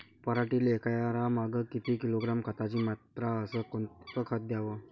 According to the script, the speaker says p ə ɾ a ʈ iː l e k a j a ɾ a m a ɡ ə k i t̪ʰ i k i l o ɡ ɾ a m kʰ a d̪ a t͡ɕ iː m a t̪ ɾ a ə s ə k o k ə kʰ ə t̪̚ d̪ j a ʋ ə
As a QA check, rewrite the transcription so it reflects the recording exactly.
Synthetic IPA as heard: p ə ɾ a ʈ iː l e k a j a ɾ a m a ɡ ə k i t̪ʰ i k i l o ɡ ɾ a m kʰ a t̪ a t͡ɕ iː m a t̪ ɾ a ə s ə k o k ə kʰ ə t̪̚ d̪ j a ʋ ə